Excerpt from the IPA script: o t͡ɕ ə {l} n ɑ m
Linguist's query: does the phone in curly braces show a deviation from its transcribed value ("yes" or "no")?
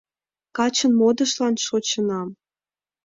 yes